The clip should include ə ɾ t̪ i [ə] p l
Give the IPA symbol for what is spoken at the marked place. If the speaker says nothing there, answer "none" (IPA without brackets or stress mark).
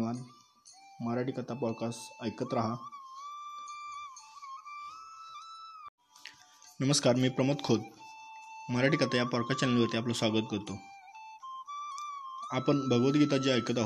a